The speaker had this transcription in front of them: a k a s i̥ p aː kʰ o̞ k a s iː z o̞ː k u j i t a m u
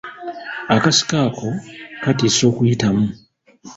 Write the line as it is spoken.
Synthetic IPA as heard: a k a s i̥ k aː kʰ o̞ k a t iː s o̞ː k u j i t a m u